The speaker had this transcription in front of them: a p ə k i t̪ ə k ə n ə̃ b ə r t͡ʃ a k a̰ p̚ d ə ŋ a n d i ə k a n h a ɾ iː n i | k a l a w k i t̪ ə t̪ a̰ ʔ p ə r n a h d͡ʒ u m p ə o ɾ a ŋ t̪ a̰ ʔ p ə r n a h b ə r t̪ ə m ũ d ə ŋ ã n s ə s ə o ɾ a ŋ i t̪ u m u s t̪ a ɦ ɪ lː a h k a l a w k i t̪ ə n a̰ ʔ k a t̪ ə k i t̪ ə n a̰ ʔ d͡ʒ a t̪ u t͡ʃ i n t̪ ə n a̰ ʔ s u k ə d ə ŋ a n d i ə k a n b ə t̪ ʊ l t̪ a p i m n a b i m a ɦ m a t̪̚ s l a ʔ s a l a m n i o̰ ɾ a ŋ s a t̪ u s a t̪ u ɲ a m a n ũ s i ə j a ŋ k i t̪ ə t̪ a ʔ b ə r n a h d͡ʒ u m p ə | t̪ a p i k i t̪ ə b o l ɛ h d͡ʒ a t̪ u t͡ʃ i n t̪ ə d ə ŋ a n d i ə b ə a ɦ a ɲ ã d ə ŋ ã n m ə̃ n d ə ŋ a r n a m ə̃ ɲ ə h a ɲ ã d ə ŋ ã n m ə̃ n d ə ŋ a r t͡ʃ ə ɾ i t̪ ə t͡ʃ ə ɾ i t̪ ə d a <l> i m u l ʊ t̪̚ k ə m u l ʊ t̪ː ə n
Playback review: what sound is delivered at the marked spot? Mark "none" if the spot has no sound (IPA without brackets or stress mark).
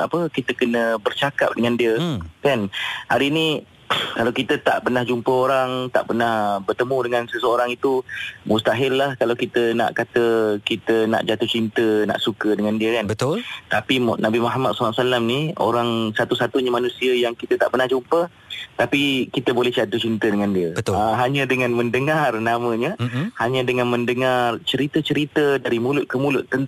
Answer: ɾ